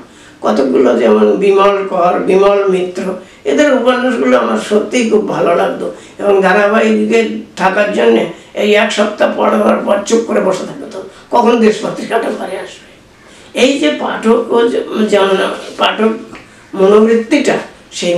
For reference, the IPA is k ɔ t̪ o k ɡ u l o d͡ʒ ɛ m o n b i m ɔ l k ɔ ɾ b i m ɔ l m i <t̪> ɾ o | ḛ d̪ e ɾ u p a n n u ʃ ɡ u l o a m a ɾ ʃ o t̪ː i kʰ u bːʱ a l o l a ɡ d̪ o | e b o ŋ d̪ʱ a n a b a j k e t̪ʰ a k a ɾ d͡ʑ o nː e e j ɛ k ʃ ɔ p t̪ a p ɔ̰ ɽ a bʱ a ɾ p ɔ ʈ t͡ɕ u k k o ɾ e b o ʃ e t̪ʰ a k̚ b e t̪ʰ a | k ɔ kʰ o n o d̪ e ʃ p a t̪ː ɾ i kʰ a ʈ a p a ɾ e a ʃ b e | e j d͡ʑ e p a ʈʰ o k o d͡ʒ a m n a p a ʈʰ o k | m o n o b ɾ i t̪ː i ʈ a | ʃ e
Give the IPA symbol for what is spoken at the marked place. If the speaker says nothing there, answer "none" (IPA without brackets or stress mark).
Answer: t̪